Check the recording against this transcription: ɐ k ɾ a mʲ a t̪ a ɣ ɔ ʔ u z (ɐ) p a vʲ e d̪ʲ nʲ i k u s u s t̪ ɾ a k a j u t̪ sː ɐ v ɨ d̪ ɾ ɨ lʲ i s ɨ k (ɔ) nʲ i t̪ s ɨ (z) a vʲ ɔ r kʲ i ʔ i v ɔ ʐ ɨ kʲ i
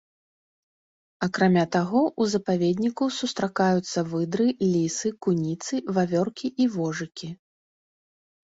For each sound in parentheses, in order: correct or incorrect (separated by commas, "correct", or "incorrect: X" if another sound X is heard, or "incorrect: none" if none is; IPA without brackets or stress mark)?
correct, incorrect: u, incorrect: v